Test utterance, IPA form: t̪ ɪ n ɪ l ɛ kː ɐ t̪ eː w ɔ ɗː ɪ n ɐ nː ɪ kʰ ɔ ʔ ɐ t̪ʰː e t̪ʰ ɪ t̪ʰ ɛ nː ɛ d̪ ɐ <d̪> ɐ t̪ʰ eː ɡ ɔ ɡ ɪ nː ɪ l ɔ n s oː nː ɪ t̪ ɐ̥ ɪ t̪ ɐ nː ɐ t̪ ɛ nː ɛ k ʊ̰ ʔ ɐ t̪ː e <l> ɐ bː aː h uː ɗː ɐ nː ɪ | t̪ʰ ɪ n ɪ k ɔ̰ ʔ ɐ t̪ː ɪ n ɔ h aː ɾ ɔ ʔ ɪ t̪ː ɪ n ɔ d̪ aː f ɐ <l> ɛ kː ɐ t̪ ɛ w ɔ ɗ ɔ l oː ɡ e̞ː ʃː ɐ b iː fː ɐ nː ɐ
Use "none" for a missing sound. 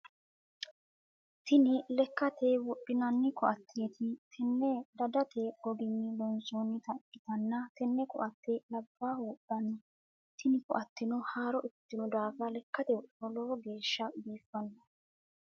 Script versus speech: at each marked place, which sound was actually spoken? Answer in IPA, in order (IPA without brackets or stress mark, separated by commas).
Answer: d̪, l, l